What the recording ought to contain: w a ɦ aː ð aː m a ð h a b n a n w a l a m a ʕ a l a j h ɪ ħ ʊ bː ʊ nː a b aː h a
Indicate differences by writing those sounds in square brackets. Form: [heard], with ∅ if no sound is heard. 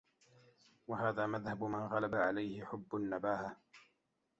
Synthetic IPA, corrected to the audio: w a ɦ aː ð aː m a ð h a b [m] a n [ɣ] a l a [b] a ʕ a l a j h ɪ ħ ʊ bː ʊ nː a b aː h a